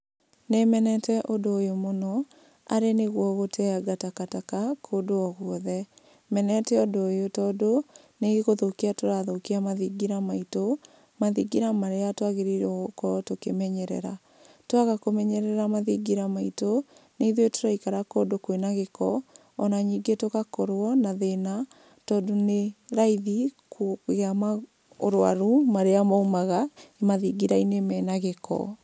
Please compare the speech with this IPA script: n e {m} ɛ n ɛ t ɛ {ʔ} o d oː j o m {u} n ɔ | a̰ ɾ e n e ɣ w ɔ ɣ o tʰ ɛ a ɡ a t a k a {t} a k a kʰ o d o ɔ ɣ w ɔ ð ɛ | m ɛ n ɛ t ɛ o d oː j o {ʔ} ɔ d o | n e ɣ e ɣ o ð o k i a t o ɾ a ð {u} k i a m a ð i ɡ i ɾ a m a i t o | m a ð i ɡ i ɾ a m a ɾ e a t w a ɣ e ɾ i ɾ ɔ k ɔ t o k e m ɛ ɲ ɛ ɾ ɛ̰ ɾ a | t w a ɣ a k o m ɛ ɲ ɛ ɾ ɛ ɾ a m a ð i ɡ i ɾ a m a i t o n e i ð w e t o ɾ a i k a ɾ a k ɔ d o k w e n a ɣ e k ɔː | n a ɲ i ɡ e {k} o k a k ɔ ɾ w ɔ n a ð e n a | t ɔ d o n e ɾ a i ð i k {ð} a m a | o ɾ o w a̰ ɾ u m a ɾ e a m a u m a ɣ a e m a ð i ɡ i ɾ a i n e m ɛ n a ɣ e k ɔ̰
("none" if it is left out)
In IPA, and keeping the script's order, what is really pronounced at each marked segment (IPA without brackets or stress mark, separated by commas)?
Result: m, ʔ, o, t, t, o, t, ɣ